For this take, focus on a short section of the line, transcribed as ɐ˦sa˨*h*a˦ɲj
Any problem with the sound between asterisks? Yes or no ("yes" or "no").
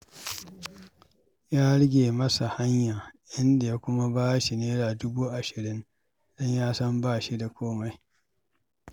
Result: no